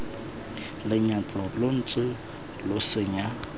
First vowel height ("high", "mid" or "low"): high